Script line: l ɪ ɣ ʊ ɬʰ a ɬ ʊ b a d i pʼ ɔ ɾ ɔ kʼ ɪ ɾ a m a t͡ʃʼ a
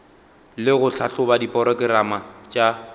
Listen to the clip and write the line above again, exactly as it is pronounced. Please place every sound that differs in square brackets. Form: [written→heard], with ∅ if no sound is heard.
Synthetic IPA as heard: l ɪ ɣ ʊ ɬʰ a ɬ ʊ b a d i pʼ ɔ ɾ ɔ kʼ ɪ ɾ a m a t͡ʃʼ a